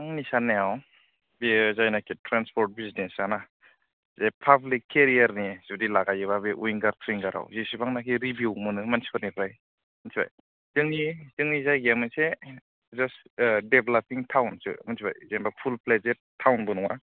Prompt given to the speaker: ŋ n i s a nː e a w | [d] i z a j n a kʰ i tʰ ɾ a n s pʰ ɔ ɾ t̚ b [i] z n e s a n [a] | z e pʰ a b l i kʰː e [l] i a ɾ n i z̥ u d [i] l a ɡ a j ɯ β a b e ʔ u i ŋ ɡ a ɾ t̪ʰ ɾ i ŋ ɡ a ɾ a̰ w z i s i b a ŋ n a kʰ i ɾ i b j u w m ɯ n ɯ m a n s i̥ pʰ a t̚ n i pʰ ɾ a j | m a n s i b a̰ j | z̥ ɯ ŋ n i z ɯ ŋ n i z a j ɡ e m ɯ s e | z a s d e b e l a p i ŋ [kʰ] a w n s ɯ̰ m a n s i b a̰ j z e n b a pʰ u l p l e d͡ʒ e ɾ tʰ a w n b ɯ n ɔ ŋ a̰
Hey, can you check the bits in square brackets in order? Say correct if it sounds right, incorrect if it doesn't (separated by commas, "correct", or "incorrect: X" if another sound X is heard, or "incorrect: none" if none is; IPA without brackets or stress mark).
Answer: incorrect: b, correct, correct, incorrect: ɾ, correct, incorrect: tʰ